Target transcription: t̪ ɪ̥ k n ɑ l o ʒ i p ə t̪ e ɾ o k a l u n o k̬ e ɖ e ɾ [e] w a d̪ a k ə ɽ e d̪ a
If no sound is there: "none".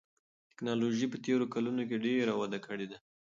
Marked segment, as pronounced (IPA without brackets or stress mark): a